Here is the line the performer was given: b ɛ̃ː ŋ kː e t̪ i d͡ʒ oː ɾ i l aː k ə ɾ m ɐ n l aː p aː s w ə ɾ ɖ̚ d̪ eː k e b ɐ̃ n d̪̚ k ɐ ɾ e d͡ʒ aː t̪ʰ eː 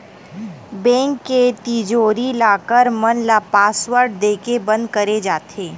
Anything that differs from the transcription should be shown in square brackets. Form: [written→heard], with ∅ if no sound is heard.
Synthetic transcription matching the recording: b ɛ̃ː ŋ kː e t̪ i d͡ʒ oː ɾ i l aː k ə ɾ m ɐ n l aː p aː s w ə ɾ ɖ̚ d̪ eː k e b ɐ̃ n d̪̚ k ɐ ɾ e d͡ʒ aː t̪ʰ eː